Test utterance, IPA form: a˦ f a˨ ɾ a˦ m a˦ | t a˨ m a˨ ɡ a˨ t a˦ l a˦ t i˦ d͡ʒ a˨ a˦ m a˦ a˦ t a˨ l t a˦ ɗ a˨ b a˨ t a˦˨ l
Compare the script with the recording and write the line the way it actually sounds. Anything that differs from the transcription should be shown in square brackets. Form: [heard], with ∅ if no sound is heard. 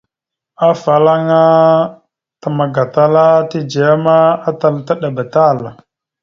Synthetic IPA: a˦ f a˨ [l] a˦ [ŋ] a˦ | t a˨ m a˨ ɡ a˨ t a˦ l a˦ t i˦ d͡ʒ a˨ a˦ m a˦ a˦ t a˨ l t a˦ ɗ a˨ b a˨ t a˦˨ l